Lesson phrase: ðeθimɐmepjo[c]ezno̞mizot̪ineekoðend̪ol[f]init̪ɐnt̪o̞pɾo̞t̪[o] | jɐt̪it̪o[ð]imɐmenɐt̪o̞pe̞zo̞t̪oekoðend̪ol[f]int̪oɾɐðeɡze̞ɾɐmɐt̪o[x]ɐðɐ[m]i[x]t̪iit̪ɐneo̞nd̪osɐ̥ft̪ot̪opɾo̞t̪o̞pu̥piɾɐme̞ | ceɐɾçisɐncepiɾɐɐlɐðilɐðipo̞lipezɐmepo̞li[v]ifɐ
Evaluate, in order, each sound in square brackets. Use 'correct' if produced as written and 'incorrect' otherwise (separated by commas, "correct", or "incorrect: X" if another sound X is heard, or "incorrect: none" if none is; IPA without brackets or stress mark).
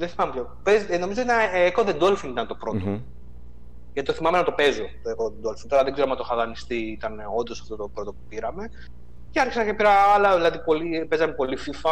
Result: incorrect: p, correct, correct, incorrect: θ, correct, correct, incorrect: n, incorrect: s, incorrect: f